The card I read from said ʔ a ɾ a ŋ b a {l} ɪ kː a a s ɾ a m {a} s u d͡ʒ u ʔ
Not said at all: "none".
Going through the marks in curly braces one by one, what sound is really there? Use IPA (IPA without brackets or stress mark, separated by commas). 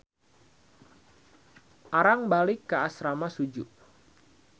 l, a